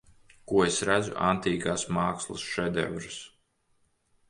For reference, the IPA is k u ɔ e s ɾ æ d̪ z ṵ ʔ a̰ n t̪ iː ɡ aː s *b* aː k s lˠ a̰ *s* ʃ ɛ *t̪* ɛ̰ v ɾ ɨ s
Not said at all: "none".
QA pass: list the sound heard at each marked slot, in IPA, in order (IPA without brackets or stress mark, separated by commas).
m, s, d̪